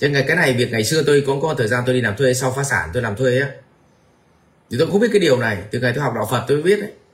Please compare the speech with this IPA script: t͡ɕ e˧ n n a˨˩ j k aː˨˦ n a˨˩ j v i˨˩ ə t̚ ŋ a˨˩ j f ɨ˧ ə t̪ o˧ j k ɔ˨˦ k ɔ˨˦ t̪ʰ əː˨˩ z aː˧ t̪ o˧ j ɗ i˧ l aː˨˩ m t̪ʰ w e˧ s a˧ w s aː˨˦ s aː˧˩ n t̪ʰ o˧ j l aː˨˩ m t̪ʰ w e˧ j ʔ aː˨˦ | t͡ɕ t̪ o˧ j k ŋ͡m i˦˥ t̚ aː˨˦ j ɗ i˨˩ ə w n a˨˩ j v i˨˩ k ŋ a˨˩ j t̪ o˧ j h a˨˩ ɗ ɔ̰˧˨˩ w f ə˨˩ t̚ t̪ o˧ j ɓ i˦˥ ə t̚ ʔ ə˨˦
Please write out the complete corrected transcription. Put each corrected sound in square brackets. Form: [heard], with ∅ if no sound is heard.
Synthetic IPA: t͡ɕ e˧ n [ŋ] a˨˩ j k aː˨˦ n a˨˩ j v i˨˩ ə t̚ ŋ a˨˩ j [s] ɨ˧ ə t̪ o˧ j k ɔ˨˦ k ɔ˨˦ t̪ʰ əː˨˩ z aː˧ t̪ o˧ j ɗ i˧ l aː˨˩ m t̪ʰ w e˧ s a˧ w [f] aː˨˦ s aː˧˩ n [t̪] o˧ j l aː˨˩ m t̪ʰ w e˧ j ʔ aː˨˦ | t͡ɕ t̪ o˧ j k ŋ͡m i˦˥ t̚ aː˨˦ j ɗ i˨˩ ə w n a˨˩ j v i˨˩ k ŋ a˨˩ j t̪ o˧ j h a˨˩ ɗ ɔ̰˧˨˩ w f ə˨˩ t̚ t̪ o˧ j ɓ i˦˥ ə t̚ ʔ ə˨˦